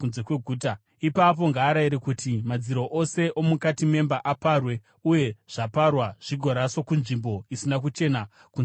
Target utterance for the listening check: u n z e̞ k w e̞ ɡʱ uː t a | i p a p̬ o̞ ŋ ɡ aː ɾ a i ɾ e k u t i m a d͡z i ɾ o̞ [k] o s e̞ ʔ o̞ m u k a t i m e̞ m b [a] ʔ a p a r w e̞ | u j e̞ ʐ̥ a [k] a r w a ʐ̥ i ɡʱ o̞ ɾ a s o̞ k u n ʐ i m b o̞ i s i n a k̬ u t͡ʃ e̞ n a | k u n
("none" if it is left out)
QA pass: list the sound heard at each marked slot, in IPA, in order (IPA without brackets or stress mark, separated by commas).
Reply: ʔ, a, p